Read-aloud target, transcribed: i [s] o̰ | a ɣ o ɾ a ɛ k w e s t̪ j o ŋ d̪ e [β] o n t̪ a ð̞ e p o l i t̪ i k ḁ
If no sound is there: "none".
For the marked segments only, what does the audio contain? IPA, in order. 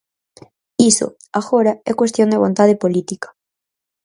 s, β

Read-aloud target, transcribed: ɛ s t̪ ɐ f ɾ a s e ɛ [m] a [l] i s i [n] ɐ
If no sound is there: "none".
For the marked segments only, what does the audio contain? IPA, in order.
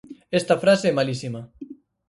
m, l, m

